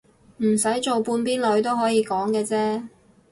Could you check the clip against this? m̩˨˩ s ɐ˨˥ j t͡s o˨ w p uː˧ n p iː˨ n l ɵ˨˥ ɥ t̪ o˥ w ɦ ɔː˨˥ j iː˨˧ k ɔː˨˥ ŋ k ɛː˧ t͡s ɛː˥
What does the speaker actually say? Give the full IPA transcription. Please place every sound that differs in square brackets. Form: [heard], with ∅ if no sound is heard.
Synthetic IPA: m̩˨˩ s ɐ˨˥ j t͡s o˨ w p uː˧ n p [iː˥] n l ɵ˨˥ ɥ t̪ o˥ w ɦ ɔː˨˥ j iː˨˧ k ɔː˨˥ ŋ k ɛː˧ t͡s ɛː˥